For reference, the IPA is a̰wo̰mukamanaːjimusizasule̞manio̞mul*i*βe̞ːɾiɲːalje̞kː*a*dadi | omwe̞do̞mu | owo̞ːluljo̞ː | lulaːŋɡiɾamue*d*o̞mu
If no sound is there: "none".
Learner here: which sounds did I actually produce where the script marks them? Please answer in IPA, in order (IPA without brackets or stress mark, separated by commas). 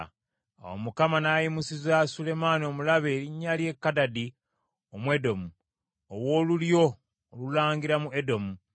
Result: a, a, d